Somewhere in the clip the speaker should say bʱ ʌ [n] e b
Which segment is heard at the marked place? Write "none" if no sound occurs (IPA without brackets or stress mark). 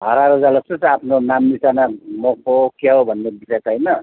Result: nː